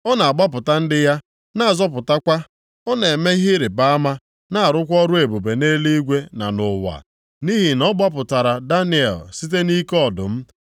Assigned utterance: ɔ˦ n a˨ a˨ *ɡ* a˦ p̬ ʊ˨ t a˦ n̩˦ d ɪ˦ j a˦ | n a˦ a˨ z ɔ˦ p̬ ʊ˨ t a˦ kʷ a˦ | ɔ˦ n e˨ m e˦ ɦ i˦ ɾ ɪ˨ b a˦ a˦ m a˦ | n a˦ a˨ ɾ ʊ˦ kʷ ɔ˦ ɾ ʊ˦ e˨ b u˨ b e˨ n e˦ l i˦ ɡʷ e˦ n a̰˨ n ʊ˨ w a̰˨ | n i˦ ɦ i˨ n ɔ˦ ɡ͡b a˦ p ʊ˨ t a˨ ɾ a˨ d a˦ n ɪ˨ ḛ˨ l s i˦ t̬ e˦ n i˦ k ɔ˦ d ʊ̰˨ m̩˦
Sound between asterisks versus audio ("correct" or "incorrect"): incorrect